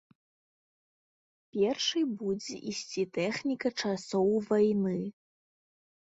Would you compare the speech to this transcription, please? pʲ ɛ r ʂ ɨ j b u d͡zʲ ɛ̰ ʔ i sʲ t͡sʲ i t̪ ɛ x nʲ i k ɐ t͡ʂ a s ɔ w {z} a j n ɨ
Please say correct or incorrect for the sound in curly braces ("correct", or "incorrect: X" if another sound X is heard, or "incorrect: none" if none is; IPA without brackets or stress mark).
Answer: incorrect: v